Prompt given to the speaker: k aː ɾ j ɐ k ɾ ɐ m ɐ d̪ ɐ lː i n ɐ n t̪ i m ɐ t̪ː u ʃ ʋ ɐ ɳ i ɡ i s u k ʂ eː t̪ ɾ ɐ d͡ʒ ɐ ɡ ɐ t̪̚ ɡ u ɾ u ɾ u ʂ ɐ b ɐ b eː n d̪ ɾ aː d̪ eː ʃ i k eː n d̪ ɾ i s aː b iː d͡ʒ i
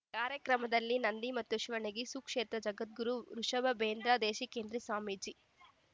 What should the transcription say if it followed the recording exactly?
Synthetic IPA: k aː ɾ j ɐ k ɾ ɐ m ɐ d̪ ɐ lː i n ɐ n d̪ i m ɐ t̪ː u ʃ ʋ ɐ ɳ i ɡ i s u k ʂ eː t̪ ɾ ɐ d͡ʒ ɐ ɡ ɐ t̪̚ ɡ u ɾ u ɾ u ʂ ɐ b ɐ b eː n d̪ ɾ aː d̪ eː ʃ i k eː n d̪ ɾ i s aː m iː d͡ʒ i

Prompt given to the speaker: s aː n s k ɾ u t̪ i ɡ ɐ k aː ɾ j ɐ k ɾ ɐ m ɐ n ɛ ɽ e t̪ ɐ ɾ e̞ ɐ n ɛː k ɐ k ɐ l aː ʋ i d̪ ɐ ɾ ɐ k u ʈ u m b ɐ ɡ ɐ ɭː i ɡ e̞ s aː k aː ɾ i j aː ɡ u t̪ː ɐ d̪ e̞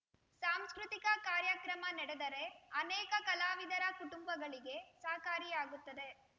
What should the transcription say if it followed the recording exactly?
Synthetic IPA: s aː m s k ɾ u t̪ i k ɐ k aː ɾ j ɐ k ɾ ɐ m ɐ n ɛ ɽ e d̪ ɐ ɾ e̞ ɐ n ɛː k ɐ k ɐ l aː ʋ i d̪ ɐ ɾ ɐ k u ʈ u m b ɐ ɡ ɐ ɭ i ɡ e̞ s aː k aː ɾ i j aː ɡ u t̪ː ɐ d̪ e̞

